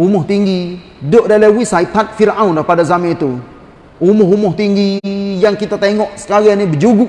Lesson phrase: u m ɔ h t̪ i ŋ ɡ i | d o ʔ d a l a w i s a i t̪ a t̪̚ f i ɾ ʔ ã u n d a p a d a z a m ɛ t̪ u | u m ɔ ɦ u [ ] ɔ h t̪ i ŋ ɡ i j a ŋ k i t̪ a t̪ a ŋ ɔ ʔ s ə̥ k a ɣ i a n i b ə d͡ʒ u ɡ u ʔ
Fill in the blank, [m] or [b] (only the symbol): m